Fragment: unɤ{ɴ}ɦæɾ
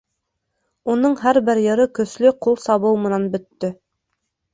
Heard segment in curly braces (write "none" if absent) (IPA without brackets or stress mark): ɴ